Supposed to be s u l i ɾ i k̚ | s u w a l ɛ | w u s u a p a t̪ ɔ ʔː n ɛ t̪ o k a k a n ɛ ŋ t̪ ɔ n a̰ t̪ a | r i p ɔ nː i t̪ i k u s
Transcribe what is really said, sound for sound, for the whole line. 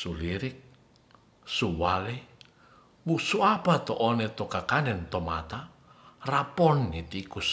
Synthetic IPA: s u l i ɾ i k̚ | s u w a l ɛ | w u s u a p a t̪ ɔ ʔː n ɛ t̪ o k a k a n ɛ n t̪ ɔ m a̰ t̪ a | r a p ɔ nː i t̪ i k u s